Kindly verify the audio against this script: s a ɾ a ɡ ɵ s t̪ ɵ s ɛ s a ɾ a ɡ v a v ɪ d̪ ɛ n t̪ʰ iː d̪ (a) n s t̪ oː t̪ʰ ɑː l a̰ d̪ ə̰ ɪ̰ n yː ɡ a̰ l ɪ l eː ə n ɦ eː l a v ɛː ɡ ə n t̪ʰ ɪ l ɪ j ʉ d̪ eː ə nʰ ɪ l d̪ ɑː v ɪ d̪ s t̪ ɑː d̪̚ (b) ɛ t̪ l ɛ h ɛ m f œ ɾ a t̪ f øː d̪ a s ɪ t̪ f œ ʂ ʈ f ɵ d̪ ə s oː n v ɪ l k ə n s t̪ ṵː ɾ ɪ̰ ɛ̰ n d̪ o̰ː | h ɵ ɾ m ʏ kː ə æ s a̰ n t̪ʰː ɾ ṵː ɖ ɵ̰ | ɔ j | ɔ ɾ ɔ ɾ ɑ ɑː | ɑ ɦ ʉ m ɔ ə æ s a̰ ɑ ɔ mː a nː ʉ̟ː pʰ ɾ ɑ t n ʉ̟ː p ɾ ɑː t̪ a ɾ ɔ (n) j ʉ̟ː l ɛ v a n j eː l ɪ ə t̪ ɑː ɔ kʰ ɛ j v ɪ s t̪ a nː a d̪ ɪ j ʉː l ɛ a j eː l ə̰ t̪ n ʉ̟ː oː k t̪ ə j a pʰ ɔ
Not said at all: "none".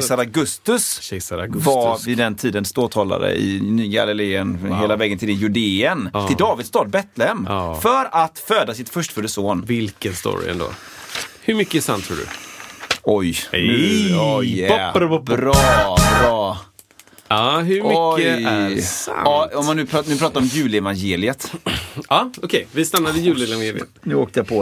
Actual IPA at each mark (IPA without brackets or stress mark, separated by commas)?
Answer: ə, b, m